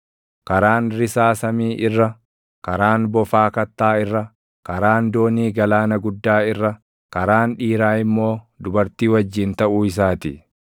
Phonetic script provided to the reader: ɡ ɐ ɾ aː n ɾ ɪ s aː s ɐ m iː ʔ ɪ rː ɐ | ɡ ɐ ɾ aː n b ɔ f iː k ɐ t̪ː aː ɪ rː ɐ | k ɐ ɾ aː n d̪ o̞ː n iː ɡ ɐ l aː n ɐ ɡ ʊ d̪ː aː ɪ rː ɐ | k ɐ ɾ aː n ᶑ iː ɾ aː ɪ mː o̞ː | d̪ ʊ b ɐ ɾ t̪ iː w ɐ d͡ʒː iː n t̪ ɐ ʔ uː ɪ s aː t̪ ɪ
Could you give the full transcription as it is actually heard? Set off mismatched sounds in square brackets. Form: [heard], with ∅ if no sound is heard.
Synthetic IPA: [k] ɐ ɾ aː n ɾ ɪ s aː s ɐ m iː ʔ ɪ rː ɐ | [k] ɐ ɾ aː n b ɔ f [aː] k ɐ t̪ː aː ɪ rː ɐ | k ɐ ɾ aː n d̪ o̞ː n iː ɡ ɐ l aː n ɐ ɡ ʊ d̪ː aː ɪ rː ɐ | k ɐ ɾ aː n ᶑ iː ɾ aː ɪ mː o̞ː | d̪ ʊ b ɐ ɾ t̪ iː w ɐ d͡ʒː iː n t̪ ɐ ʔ uː ɪ s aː t̪ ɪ

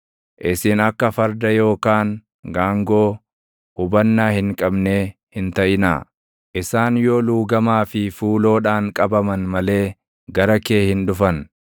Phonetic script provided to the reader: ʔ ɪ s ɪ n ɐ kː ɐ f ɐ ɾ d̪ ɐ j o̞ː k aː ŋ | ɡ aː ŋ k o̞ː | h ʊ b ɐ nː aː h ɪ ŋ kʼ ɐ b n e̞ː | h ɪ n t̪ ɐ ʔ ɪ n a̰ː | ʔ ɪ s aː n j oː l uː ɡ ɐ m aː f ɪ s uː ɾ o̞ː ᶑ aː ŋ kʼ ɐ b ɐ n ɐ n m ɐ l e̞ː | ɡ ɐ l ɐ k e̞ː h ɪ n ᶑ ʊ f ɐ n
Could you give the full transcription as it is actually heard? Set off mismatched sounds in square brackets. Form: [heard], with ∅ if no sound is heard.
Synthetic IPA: ʔ ɪ s ɪ n ɐ kː ɐ f ɐ ɾ d̪ ɐ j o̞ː k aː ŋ | ɡ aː ŋ [ɡ] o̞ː | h ʊ b ɐ nː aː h ɪ ŋ kʼ ɐ b n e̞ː | h ɪ n t̪ ɐ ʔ ɪ n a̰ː | ʔ ɪ s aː n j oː l uː ɡ ɐ m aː f ɪ [f] uː [l] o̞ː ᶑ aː ŋ kʼ ɐ b ɐ [m] ɐ n m ɐ l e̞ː | ɡ ɐ [ɾ] ɐ k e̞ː h ɪ n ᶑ ʊ f ɐ n

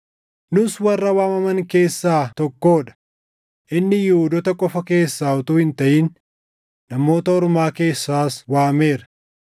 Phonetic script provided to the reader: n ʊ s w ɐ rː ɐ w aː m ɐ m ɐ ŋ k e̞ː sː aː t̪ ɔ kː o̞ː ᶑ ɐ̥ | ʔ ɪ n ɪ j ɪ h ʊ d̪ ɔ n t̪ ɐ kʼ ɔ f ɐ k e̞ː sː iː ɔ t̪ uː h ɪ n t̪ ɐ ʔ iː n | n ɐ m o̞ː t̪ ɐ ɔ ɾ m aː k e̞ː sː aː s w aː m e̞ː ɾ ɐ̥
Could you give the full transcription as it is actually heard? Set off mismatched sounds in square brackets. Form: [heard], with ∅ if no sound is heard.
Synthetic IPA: n ʊ s w ɐ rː ɐ w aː m ɐ m ɐ ŋ k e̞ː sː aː t̪ ɔ kː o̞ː ᶑ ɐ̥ | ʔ ɪ [nː] ɪ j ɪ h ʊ d̪ ɔ [∅] t̪ ɐ kʼ ɔ f ɐ k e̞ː sː [aː] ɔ t̪ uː h ɪ n t̪ ɐ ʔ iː n | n ɐ m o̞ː t̪ ɐ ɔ ɾ m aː k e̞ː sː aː s w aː m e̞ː ɾ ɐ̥

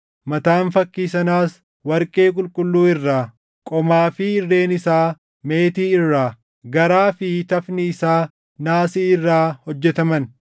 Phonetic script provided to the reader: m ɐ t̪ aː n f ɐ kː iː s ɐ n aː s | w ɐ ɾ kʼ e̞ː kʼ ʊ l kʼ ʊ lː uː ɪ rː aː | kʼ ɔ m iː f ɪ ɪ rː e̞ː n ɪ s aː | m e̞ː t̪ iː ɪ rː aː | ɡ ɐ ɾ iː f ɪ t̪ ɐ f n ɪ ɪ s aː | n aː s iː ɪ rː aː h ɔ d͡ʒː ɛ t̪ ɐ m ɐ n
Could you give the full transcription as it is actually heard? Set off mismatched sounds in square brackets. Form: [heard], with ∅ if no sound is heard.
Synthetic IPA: m ɐ t̪ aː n f ɐ kː iː s ɐ n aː s | w ɐ ɾ kʼ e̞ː kʼ ʊ l kʼ ʊ lː uː ɪ rː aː | kʼ ɔ m [aː] f ɪ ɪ rː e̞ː n ɪ s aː | m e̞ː t̪ iː ɪ rː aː | ɡ ɐ ɾ [aː] f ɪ t̪ ɐ f n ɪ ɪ s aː | n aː s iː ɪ rː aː h ɔ d͡ʒː ɛ t̪ ɐ m ɐ n

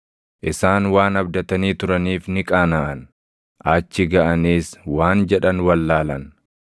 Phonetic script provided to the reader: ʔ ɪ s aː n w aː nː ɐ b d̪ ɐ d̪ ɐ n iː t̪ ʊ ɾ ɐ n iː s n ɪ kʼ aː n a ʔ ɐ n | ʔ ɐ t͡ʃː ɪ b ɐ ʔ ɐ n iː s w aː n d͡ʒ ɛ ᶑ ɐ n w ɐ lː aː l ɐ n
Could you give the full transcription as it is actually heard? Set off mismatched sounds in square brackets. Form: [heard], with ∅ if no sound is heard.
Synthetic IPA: ʔ ɪ s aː n w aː [n] ɐ b d̪ ɐ [t̪] ɐ n iː t̪ ʊ ɾ ɐ n iː [f] n ɪ kʼ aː n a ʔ ɐ n | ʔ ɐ t͡ʃː ɪ [ɡ] ɐ ʔ ɐ n iː s w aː n d͡ʒ ɛ ᶑ ɐ n w ɐ lː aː l ɐ n

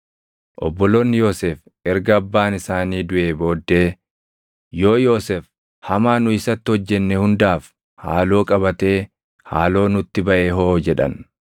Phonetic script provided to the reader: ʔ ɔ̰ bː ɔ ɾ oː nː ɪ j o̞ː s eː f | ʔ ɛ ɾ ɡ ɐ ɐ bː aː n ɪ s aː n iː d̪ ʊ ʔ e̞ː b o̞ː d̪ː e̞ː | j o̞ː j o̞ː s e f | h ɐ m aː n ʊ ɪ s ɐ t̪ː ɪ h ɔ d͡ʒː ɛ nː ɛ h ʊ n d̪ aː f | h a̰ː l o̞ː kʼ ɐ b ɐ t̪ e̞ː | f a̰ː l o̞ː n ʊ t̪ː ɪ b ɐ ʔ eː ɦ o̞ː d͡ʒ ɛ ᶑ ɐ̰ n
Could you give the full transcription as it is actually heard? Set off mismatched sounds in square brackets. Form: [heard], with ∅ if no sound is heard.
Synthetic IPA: ʔ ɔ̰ bː ɔ [l] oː nː ɪ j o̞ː s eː f | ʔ ɛ ɾ ɡ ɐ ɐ bː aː n ɪ s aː n iː d̪ ʊ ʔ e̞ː b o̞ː d̪ː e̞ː | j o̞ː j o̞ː s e f | h ɐ m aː n ʊ ɪ s ɐ t̪ː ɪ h ɔ d͡ʒː ɛ nː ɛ h ʊ n d̪ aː f | h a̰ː l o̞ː kʼ ɐ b ɐ t̪ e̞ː | [h] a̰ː l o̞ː n ʊ t̪ː ɪ b ɐ ʔ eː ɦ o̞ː d͡ʒ ɛ ᶑ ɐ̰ n

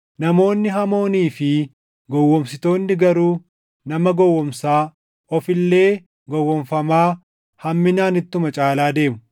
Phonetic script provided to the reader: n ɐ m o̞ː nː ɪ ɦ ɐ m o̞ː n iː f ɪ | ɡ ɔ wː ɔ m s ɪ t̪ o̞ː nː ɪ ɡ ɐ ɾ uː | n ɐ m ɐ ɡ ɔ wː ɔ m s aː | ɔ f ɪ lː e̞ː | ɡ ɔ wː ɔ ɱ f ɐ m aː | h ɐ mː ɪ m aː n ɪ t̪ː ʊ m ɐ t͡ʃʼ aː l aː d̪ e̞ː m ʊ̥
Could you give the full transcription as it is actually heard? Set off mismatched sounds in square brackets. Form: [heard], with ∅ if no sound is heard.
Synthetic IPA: n ɐ m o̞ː nː ɪ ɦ ɐ m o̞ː n iː f ɪ | ɡ ɔ wː ɔ m s ɪ t̪ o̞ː nː ɪ ɡ ɐ ɾ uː | n ɐ m ɐ ɡ ɔ wː ɔ m s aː | ɔ f ɪ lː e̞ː | ɡ ɔ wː ɔ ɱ f ɐ m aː | h ɐ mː ɪ [n] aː n ɪ t̪ː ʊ m ɐ t͡ʃʼ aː l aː d̪ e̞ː m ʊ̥

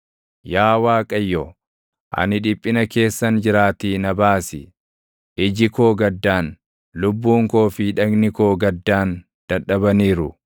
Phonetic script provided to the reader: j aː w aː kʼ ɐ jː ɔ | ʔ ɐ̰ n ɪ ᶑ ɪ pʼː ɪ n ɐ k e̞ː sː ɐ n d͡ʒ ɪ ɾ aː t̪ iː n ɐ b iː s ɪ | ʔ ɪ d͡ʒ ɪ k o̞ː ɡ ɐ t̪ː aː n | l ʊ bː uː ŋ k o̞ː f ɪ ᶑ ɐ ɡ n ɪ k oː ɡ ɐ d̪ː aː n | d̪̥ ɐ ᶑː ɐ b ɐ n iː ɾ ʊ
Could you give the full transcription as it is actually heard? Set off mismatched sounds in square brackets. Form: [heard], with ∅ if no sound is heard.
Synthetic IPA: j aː w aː kʼ ɐ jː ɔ | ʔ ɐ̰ n ɪ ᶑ ɪ pʼː ɪ n ɐ k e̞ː sː ɐ n d͡ʒ ɪ ɾ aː t̪ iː n ɐ b [aː] s ɪ | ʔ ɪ d͡ʒ ɪ k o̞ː ɡ ɐ [d̪ː] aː n | l ʊ bː uː ŋ k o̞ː f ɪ ᶑ ɐ ɡ n ɪ k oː ɡ ɐ d̪ː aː n | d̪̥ ɐ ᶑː ɐ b ɐ n iː ɾ ʊ

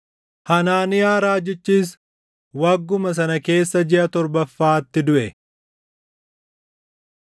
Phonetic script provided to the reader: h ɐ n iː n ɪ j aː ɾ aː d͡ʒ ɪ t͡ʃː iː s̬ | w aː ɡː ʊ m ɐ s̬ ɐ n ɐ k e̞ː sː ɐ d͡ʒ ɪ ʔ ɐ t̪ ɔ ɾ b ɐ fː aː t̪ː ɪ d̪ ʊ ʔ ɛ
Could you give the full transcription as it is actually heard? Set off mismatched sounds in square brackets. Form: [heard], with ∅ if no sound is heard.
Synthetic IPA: h ɐ n [aː] n ɪ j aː ɾ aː d͡ʒ ɪ t͡ʃː iː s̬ | w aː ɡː ʊ m ɐ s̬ ɐ n ɐ k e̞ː sː ɐ d͡ʒ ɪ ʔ ɐ t̪ ɔ ɾ b ɐ fː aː t̪ː ɪ d̪ ʊ ʔ ɛ

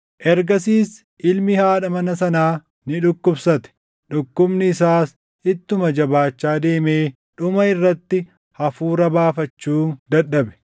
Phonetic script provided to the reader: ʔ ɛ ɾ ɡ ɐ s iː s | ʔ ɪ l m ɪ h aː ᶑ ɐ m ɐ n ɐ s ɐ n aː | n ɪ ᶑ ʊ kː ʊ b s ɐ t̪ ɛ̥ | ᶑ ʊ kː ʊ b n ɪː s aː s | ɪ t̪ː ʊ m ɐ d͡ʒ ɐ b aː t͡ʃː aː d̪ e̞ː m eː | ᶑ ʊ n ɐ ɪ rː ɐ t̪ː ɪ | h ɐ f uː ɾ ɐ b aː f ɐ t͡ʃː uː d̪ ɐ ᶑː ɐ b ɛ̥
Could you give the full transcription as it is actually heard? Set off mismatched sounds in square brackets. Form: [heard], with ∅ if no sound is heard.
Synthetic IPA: ʔ ɛ ɾ ɡ ɐ s iː s | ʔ ɪ l m ɪ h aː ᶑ ɐ m ɐ n ɐ s ɐ n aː | n ɪ ᶑ ʊ kː ʊ b s ɐ t̪ ɛ̥ | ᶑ ʊ kː ʊ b n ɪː s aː s | ɪ t̪ː ʊ m ɐ d͡ʒ ɐ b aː t͡ʃː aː d̪ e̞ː m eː | ᶑ ʊ [m] ɐ ɪ rː ɐ t̪ː ɪ | h ɐ f uː ɾ ɐ b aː f ɐ t͡ʃː uː d̪ ɐ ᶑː ɐ b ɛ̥

